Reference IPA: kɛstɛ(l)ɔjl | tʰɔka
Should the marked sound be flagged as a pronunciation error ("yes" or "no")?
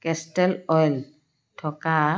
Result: no